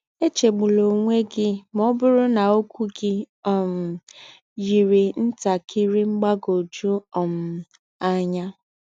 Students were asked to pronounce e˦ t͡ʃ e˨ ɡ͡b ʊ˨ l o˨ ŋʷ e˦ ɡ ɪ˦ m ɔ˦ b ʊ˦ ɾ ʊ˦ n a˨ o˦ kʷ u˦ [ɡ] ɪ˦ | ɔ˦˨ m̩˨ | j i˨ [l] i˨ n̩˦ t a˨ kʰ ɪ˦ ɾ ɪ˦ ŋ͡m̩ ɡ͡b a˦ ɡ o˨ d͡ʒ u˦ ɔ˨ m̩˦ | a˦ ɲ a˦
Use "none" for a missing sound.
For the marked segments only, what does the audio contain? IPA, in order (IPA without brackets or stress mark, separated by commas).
ɡ, ɾ